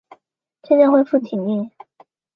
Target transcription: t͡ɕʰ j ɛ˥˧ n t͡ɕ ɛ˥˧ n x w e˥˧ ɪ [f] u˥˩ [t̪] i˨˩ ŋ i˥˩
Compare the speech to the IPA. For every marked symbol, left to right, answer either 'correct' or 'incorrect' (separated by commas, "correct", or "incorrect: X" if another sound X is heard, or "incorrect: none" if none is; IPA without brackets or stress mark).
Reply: correct, incorrect: t̪ʰ